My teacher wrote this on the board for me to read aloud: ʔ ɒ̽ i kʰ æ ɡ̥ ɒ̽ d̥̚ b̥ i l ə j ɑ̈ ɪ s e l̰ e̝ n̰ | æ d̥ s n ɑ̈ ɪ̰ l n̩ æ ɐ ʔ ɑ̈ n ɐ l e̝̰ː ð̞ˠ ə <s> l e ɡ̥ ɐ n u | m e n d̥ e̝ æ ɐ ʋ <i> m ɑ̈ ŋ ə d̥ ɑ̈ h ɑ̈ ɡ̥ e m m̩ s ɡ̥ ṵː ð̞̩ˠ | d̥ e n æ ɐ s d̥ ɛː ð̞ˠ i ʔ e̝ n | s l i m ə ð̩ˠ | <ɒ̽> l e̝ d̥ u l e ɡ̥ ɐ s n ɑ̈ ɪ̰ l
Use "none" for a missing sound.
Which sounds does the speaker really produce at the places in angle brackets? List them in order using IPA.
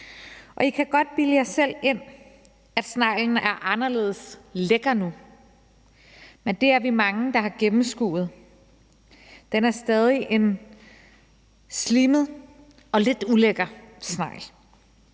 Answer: s, i, ɒ̽

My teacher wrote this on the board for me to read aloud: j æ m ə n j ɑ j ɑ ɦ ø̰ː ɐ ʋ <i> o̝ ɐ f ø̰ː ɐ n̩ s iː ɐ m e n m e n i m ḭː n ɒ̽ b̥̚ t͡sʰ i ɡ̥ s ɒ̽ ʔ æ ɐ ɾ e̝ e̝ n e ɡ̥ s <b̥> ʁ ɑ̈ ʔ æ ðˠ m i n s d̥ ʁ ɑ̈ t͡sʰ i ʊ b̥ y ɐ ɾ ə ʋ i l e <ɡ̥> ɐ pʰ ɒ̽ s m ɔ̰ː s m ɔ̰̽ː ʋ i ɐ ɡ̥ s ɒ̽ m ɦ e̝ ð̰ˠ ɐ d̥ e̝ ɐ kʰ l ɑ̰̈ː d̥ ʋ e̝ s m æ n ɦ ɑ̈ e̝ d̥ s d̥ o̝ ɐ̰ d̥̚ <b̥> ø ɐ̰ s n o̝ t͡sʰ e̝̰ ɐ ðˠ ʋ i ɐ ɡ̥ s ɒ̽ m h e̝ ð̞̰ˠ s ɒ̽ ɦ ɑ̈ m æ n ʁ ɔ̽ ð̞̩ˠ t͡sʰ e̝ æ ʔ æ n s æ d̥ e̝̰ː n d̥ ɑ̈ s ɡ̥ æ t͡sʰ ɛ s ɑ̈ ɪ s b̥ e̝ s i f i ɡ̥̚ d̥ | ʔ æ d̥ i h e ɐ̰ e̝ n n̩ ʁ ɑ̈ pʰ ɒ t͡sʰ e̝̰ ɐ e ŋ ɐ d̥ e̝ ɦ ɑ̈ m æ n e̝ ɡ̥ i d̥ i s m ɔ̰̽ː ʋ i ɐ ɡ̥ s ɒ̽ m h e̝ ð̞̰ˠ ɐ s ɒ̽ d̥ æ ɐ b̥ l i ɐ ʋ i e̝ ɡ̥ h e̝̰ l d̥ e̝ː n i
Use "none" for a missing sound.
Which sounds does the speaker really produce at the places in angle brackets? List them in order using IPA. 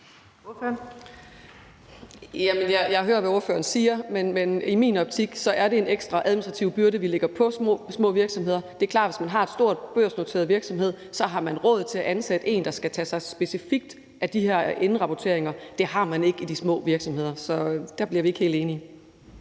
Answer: æ, d̥, ɡ̥, b̥

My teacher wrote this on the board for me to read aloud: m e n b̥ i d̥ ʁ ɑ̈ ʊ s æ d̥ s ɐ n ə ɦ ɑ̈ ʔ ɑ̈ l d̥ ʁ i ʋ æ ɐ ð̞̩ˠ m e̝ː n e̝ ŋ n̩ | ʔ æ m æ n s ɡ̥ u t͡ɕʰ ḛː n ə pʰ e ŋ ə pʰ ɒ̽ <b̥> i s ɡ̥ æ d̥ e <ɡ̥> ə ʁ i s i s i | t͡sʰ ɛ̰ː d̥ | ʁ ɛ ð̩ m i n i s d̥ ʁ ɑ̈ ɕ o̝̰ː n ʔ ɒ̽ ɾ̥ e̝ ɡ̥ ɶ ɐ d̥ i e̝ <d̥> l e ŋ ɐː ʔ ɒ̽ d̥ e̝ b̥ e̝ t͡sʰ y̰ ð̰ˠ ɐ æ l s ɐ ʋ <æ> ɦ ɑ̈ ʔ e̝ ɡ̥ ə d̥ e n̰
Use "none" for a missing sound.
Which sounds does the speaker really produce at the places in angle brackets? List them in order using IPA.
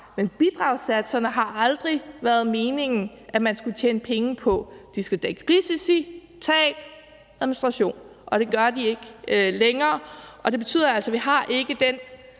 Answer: d̥, ɡ̥, ɡ̥, i

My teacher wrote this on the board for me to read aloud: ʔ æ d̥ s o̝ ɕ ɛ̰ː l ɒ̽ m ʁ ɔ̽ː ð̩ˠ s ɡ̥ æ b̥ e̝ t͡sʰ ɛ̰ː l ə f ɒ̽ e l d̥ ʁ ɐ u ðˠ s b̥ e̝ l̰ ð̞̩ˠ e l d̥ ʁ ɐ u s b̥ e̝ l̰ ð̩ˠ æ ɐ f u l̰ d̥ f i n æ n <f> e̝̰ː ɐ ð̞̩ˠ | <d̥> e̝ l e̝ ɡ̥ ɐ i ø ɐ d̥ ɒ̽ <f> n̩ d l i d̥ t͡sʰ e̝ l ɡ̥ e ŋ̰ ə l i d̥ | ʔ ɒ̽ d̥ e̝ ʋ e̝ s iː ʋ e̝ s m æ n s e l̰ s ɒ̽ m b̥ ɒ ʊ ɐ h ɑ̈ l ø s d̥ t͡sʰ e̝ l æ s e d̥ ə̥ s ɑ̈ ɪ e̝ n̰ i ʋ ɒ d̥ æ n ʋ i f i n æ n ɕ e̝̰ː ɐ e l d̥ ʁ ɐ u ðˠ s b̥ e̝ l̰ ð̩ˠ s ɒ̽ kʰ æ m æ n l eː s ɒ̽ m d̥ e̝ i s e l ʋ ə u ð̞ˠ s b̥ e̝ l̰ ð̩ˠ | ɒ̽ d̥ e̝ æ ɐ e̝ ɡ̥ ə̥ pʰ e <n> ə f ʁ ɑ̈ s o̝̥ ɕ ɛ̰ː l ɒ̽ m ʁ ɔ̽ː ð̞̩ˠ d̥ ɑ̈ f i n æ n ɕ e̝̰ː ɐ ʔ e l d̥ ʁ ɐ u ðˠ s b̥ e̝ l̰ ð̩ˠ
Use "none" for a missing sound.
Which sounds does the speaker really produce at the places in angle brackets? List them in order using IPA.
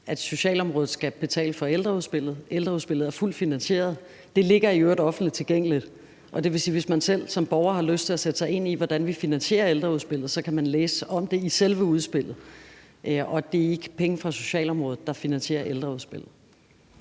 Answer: ɕ, d̥, f, ŋ

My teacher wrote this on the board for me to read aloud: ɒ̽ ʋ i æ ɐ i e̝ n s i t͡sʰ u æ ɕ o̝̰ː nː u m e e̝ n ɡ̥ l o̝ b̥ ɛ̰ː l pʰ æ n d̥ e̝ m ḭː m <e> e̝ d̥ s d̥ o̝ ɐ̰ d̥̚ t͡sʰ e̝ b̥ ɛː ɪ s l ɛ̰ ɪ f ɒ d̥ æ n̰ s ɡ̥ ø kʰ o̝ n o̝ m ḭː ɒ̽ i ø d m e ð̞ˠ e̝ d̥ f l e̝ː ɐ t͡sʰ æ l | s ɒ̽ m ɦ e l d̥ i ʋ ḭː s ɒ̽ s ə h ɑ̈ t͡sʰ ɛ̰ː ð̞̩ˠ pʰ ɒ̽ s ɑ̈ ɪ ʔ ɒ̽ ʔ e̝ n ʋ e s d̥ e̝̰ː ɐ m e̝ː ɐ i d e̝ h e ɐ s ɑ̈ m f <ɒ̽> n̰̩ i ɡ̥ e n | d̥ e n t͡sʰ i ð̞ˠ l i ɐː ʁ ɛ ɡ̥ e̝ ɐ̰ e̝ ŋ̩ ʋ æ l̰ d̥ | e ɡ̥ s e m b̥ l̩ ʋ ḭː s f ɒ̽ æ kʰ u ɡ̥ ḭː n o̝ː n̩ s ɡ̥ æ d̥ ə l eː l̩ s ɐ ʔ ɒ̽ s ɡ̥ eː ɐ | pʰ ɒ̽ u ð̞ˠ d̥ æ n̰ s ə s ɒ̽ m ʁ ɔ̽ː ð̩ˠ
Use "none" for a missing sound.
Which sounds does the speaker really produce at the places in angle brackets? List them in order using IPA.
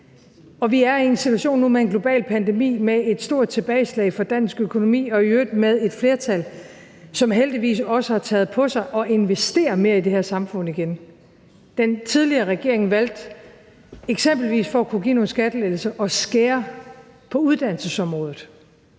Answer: e, ɔ̽

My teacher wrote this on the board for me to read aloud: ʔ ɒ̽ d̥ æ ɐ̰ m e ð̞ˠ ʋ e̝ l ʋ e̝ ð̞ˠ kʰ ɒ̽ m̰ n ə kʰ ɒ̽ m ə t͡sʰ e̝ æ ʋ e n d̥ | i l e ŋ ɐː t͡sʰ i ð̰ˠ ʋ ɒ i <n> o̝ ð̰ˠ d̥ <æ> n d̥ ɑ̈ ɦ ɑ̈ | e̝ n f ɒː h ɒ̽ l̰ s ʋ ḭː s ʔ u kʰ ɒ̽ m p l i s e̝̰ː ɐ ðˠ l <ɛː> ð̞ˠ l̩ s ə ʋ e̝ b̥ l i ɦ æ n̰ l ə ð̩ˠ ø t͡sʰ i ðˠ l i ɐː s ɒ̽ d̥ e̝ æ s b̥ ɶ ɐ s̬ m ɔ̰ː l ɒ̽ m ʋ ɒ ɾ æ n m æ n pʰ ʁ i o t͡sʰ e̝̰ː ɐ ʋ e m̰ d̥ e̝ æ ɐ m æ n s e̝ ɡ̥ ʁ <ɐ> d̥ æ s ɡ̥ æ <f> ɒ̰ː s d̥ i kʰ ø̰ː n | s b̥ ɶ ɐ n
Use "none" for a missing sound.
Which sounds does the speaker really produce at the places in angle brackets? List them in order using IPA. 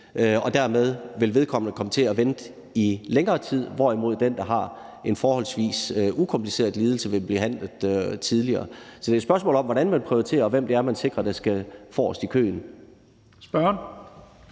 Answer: m, e, iː, ɐ, f

